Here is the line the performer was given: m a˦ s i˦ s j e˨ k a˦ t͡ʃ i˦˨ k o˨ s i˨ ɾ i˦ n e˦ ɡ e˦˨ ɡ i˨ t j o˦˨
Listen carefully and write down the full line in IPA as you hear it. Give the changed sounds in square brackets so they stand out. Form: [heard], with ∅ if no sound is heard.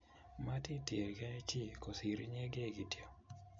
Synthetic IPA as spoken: m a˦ [t] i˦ [t] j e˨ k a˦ t͡ʃ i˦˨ k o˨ s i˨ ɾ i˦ [ɲ] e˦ ɡ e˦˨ ɡ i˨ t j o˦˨